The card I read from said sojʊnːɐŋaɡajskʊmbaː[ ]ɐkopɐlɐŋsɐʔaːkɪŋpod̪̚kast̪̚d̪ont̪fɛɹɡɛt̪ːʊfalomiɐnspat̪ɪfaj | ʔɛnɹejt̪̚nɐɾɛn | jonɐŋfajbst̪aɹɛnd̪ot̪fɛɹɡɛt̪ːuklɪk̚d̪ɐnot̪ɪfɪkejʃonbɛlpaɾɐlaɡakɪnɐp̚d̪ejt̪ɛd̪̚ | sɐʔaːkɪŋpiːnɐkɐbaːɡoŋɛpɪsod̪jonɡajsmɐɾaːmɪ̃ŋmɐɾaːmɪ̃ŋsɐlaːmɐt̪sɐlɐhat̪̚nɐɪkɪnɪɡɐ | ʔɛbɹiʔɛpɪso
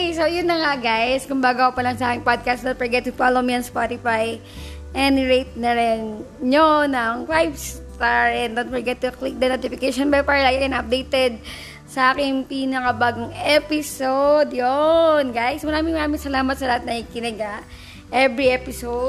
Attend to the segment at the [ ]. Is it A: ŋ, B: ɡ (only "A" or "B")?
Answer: B